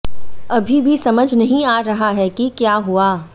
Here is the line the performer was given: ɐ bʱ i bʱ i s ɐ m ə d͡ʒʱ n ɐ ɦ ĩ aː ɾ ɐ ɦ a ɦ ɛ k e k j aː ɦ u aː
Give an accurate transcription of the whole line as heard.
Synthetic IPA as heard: ɐ bʱ i bʱ i s ɐ m ə d͡ʒʱ n ɐ ɦ ĩ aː ɾ ɐ ɦ a ɦ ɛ k i k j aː ɦ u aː